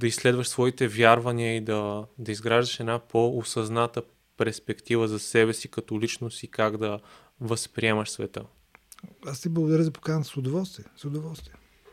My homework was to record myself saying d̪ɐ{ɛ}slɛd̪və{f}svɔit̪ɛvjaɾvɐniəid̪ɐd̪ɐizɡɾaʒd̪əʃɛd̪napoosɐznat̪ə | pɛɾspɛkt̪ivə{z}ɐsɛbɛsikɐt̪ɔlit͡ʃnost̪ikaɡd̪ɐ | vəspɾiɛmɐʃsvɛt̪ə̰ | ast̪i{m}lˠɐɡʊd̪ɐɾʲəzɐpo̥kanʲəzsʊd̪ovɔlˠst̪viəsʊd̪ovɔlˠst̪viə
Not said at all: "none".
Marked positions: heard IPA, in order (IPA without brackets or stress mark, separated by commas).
i, ʃ, z, b